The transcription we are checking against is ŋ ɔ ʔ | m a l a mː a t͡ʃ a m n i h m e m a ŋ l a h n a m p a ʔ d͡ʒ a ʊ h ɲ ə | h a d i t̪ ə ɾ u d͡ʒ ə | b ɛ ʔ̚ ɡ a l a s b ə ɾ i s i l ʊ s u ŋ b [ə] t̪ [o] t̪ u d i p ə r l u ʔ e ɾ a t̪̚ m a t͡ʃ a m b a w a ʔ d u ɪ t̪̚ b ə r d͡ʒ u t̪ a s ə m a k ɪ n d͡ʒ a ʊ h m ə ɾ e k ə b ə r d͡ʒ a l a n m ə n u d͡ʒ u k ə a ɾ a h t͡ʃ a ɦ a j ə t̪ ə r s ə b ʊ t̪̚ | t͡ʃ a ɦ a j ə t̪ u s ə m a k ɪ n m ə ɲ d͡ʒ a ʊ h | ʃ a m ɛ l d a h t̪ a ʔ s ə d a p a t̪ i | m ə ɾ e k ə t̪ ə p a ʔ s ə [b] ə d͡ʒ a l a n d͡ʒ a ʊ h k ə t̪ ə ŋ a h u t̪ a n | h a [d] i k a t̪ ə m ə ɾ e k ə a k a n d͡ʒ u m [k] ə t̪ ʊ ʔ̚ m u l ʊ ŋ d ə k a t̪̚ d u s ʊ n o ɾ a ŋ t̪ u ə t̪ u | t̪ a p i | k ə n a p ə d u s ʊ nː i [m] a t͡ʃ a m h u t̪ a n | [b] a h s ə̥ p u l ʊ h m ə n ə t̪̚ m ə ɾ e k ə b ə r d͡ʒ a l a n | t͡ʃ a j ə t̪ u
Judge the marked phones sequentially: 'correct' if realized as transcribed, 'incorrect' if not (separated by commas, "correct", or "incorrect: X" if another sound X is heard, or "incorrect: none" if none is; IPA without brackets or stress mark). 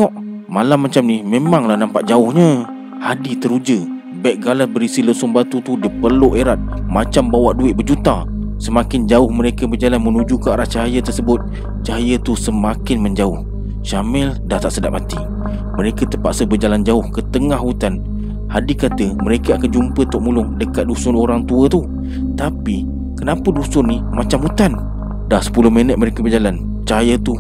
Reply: incorrect: a, incorrect: u, correct, correct, incorrect: p, correct, incorrect: d